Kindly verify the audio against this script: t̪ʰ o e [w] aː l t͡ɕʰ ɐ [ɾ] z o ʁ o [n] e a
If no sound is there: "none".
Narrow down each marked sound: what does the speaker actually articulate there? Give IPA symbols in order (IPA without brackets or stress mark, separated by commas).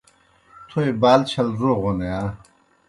b, l, n